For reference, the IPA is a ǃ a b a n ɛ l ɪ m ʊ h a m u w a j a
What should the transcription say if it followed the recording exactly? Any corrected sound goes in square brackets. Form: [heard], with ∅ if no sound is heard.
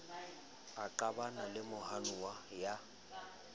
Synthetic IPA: a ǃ a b a n [a] l ɪ m ʊ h a [n] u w a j a